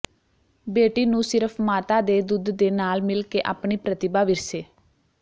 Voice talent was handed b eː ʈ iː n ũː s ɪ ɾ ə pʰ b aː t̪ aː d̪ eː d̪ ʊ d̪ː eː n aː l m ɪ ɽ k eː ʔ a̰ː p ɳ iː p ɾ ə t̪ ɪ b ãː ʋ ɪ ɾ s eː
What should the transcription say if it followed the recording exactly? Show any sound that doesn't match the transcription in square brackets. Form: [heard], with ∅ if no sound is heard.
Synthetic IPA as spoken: b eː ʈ iː n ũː s ɪ ɾ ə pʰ [m] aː t̪ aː d̪ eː d̪ ʊ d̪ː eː n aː l m ɪ [l] k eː ʔ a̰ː p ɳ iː p ɾ ə t̪ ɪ b [aː] ʋ ɪ ɾ s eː